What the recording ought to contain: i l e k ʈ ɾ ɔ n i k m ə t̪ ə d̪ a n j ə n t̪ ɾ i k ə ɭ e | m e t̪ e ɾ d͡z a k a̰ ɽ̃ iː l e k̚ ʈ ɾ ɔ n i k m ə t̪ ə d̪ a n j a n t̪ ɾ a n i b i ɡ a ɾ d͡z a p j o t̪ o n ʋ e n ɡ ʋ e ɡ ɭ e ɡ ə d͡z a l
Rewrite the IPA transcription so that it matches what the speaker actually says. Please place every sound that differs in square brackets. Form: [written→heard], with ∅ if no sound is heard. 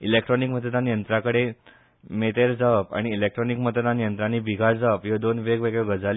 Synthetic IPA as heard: i l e k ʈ ɾ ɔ n i k m ə t̪ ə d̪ a n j ə n t̪ ɾ [i→a] k ə [ɭ→ɽ] e | m e t̪ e ɾ d͡z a [k→p] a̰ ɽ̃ iː l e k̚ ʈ ɾ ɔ n i k m ə t̪ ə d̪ a n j [a→ə] n t̪ ɾ a n i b i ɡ a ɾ d͡z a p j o [t̪→d̪] o n ʋ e [n→∅] ɡ ʋ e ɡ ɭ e ɡ ə d͡z a l

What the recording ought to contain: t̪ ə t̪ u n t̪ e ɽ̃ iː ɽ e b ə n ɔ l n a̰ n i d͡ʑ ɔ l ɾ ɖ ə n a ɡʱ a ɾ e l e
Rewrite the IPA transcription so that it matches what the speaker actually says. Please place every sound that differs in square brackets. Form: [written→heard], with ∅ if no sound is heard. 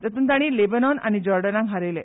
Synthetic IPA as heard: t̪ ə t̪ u n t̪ [e→a] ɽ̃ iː [ɽ→l] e b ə n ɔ [l→∅] n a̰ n i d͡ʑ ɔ [l→∅] ɾ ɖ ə n a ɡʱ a ɾ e l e

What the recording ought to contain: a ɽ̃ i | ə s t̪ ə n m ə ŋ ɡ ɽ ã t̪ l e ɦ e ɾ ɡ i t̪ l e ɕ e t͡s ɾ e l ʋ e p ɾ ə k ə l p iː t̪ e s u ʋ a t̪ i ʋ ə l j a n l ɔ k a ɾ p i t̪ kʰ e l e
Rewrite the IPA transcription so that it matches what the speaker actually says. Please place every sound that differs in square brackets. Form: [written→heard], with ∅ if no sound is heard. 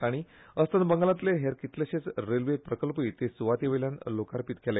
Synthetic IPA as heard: a ɽ̃ i | ə s t̪ ə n [m→b] ə ŋ ɡ [ɽ→l] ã t̪ l e ɦ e ɾ [ɡ→k] i t̪ l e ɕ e t͡s ɾ e l ʋ e p ɾ ə k ə l p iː t̪ e s u ʋ a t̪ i ʋ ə l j a n l [ɔ→o] k a ɾ p i t̪ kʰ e l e

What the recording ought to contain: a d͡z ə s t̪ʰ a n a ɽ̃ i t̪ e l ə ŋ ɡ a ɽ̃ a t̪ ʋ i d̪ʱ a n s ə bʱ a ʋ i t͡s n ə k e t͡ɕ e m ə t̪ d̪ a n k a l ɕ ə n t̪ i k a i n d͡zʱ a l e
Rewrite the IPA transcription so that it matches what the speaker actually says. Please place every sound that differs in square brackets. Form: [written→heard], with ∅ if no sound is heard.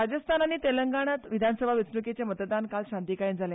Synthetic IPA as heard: a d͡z ə s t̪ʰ a n a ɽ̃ i t̪ e l ə ŋ ɡ a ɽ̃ a t̪ ʋ i d̪ʱ a n s ə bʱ a ʋ i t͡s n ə k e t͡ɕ e m ə t̪ d̪ a n k a l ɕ [ə→a] n t̪ i k a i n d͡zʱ a l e

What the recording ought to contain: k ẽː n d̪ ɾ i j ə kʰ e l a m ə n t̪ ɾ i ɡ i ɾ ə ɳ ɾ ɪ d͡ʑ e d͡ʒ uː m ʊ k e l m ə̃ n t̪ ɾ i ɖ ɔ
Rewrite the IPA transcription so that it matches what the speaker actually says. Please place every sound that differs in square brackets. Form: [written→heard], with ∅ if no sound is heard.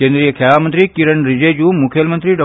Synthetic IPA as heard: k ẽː n d̪ ɾ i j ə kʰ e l a m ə n t̪ ɾ i [ɡ→k] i ɾ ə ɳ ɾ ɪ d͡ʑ e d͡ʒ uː m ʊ [k→kʰ] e l m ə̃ n t̪ ɾ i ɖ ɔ

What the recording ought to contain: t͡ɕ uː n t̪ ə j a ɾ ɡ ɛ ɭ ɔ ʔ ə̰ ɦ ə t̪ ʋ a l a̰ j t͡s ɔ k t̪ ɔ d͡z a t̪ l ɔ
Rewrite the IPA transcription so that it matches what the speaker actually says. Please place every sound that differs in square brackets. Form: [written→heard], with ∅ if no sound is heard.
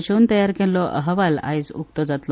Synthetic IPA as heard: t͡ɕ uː n t̪ ə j a ɾ [ɡ→k] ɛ [ɭ→l] ɔ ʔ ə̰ ɦ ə [t̪→∅] ʋ a l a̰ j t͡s [ɔ→u] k t̪ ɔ d͡z a t̪ l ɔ

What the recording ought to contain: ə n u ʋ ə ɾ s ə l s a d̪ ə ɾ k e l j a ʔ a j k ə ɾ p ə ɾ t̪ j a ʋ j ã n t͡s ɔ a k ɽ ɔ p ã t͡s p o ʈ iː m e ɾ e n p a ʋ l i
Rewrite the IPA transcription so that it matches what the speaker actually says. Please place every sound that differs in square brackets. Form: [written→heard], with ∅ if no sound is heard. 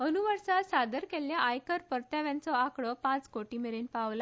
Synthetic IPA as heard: ə n u ʋ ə ɾ s [ə→a] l s a d̪ ə ɾ k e l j a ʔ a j k ə ɾ p ə ɾ t̪ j a ʋ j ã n t͡s ɔ a k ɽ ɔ p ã t͡s [p→k] o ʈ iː m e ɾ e n p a ʋ l [i→a]

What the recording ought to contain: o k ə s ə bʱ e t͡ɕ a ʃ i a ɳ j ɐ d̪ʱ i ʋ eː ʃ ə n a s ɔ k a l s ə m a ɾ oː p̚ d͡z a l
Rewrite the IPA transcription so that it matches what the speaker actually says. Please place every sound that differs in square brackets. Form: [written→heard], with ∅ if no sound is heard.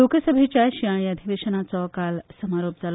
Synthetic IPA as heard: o k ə s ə bʱ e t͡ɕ a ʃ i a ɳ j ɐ d̪ʱ i ʋ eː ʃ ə n a [s→t͡s] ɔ k a l s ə m a ɾ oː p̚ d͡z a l

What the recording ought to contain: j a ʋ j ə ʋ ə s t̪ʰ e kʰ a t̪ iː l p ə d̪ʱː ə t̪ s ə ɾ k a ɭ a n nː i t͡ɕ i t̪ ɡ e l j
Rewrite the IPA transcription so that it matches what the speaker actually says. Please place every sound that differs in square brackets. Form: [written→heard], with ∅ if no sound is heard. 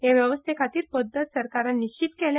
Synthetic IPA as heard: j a ʋ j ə ʋ ə s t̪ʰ e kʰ a t̪ iː [l→ɾ] p ə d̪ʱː ə t̪ s ə ɾ k a [ɭ→ɾ] a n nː i t͡ɕ i t̪ [ɡ→k] e l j

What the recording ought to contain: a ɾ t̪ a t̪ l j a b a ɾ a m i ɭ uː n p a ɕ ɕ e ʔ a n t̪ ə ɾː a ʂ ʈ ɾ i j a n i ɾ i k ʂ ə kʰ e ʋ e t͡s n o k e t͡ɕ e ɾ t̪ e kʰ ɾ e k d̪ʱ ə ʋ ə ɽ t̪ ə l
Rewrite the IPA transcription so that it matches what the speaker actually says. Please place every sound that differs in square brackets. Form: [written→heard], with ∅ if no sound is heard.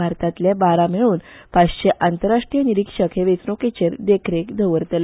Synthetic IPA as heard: a ɾ t̪ a t̪ l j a b a ɾ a m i ɭ uː n p a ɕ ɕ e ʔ a n t̪ ə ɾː a ʂ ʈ ɾ i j [a→ə] n i ɾ i k ʂ ə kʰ e ʋ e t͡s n o k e t͡ɕ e ɾ [t̪→d̪] e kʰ ɾ e k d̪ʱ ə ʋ ə [ɽ→ɾ] t̪ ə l

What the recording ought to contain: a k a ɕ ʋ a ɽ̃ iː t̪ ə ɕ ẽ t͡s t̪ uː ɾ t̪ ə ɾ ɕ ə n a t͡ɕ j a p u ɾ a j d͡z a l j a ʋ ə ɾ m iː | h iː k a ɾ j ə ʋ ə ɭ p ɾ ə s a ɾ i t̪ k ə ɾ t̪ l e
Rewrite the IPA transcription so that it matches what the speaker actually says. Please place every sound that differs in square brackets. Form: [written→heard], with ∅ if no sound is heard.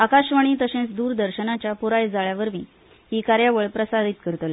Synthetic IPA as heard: a k a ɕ ʋ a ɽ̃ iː t̪ ə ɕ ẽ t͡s [t̪→d̪] uː ɾ [t̪→d̪] ə ɾ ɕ ə n a t͡ɕ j a p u ɾ a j d͡z a [l→ɭ] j a ʋ ə ɾ m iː | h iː k a ɾ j [ə→a] ʋ ə ɭ p ɾ ə s a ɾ i t̪ k ə ɾ t̪ l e

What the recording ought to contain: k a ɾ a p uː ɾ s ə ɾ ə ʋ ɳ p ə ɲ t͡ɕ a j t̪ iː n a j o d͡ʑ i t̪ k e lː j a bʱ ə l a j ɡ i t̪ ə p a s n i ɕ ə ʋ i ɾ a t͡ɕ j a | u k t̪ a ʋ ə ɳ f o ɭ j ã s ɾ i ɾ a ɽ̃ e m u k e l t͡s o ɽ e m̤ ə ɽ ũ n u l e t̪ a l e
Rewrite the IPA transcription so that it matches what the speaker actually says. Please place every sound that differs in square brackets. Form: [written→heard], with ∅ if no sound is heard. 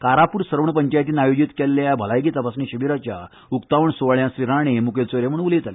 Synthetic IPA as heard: k a ɾ a p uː ɾ s ə ɾ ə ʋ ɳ p ə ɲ t͡ɕ a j t̪ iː n a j o d͡ʑ i t̪ k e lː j a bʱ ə l a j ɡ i t̪ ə p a s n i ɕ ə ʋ i ɾ a t͡ɕ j a | u k t̪ a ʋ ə ɳ [f→s] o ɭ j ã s ɾ i ɾ a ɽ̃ e m u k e l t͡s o [ɽ→ɾ] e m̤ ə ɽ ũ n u l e t̪ a l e

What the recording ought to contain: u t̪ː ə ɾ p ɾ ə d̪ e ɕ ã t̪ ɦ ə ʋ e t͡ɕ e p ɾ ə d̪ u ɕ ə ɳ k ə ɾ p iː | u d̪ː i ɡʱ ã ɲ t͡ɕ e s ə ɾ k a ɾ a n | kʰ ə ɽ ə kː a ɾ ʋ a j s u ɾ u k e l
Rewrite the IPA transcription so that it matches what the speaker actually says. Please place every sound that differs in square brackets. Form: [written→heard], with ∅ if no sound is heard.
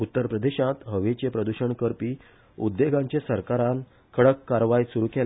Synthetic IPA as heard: u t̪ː ə ɾ p ɾ ə d̪ e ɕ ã t̪ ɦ ə ʋ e t͡ɕ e p ɾ ə d̪ u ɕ ə ɳ k ə ɾ p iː | u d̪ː [i→e] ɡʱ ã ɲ t͡ɕ e s ə ɾ k a ɾ a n | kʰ ə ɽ ə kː a ɾ ʋ a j s u ɾ u k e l

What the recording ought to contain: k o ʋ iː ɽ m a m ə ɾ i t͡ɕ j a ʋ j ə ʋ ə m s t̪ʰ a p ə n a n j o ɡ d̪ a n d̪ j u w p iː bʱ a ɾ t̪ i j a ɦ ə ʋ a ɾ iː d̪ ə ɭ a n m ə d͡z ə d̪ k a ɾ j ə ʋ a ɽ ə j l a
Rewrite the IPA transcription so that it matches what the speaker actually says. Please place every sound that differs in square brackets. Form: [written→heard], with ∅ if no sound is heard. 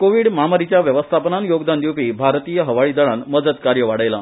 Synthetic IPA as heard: k o ʋ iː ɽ m a m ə ɾ i t͡ɕ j a ʋ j ə ʋ ə [m→∅] s t̪ʰ a p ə n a n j o ɡ d̪ a n d̪ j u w p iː bʱ a ɾ t̪ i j [a→ə] ɦ ə ʋ a [ɾ→ɭ] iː d̪ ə ɭ a n m ə d͡z ə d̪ k a ɾ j ə ʋ a ɽ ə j l a

